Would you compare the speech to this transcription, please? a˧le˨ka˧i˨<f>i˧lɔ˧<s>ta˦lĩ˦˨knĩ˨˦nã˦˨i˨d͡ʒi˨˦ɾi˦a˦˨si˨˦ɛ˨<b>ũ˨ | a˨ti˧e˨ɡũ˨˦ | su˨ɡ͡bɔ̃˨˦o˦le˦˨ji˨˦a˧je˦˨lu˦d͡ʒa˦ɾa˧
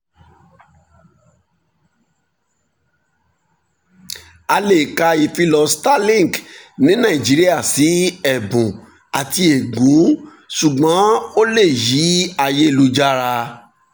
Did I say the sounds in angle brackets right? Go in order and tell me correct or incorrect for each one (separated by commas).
correct, correct, correct